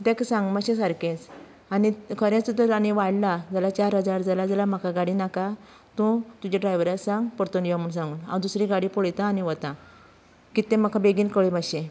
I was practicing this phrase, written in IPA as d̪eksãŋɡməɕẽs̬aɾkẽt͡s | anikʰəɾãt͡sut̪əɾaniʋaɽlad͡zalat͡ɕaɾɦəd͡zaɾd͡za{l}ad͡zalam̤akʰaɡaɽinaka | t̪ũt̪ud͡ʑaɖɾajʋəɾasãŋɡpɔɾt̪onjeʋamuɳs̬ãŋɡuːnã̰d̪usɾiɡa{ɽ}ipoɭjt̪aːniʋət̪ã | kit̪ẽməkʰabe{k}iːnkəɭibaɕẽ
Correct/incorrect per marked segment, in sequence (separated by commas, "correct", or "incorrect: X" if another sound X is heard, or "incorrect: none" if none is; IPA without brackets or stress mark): correct, correct, incorrect: ɡ